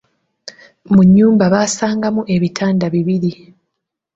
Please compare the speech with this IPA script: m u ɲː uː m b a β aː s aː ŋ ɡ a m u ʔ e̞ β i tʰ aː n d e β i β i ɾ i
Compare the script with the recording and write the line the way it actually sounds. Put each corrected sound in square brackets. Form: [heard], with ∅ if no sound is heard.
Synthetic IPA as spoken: m u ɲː uː m b a β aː s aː ŋ ɡ a m u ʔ e̞ β i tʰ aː n d [a] β i β i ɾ i